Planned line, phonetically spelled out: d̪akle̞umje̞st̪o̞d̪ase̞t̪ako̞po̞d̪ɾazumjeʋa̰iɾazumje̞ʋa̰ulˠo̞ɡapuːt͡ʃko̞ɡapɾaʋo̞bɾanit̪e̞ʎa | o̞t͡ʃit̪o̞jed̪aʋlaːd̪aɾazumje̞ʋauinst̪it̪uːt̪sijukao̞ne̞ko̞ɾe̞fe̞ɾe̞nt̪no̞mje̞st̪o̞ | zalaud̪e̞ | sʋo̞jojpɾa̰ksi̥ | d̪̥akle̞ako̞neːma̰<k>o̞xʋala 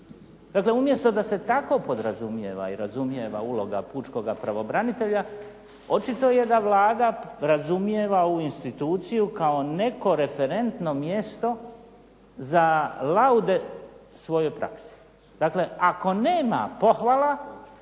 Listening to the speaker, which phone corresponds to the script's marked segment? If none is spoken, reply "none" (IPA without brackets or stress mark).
p